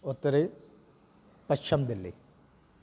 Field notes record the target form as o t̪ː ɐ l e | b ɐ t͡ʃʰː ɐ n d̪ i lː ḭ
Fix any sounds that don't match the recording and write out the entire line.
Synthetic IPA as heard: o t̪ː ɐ ɾ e | p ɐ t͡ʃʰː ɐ m d̪ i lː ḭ